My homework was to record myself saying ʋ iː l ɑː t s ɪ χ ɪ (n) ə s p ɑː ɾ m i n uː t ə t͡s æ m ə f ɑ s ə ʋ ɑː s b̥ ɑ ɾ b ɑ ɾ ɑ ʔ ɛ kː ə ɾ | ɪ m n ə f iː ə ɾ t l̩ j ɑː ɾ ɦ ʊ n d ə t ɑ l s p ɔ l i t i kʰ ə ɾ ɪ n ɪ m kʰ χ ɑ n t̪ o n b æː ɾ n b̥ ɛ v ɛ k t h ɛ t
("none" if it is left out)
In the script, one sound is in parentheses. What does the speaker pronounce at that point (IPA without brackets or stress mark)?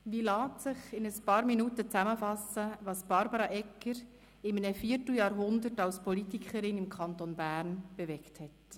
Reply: n